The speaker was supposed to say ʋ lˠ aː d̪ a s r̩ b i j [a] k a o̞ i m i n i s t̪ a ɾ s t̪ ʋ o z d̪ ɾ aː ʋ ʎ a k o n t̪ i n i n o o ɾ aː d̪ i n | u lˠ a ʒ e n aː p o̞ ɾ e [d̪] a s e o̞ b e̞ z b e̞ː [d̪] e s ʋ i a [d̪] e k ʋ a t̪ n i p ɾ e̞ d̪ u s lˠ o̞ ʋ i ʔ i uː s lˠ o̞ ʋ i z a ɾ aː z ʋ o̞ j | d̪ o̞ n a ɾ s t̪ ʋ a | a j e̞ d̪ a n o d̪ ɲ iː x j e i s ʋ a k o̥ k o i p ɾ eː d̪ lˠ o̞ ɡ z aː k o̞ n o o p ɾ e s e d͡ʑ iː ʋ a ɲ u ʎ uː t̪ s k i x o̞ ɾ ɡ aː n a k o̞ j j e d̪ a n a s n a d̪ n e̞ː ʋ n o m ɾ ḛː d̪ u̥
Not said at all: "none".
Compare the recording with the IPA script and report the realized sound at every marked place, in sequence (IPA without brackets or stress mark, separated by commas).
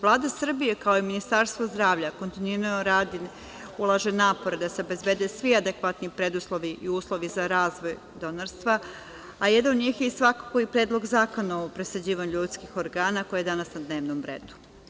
e, d̪, d̪, d̪